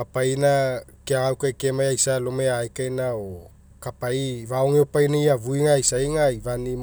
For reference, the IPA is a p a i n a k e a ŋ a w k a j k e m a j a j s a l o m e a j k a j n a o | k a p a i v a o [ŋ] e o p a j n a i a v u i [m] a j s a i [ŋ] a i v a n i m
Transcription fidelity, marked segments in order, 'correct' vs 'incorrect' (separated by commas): correct, incorrect, correct